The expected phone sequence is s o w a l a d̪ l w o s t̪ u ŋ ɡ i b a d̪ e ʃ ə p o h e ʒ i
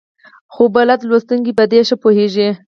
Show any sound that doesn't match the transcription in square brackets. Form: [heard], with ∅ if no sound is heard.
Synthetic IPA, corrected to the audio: [x] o [b] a l a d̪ l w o s t̪ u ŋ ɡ i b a d̪ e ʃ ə p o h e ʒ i